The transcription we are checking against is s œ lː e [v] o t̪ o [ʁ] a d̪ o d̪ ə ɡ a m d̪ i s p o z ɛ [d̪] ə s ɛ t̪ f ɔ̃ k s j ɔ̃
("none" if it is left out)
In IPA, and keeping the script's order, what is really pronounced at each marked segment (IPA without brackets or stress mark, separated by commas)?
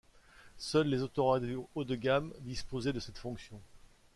z, ʁ, d̪